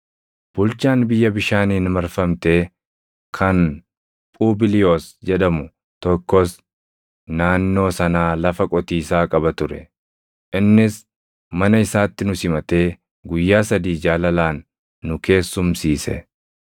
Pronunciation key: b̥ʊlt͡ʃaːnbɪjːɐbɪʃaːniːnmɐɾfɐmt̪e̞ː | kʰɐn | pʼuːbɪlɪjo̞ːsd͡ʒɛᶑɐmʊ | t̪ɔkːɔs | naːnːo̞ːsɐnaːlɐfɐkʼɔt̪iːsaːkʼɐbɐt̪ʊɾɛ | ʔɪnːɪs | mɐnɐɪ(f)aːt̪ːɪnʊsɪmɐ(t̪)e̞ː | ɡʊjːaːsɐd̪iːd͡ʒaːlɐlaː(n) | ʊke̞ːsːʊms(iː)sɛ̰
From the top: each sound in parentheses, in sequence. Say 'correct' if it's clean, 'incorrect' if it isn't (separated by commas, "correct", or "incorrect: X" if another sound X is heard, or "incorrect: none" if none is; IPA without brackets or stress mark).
incorrect: s, correct, incorrect: nː, correct